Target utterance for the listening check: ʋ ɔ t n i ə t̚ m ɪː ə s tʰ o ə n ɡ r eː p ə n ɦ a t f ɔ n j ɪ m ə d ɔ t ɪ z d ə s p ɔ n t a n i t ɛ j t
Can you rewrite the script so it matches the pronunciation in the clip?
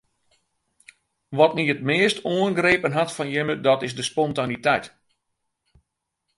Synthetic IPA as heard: ʋ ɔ t n i ə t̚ m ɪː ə s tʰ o ə n ɡ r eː p ə n ɦ a t f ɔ n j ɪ m ə d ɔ t ɪ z d ə s p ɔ n t a n i t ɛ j t